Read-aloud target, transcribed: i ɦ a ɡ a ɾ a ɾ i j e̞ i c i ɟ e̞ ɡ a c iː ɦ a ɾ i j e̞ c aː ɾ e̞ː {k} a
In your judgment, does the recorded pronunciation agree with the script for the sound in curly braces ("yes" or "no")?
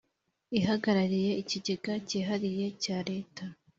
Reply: no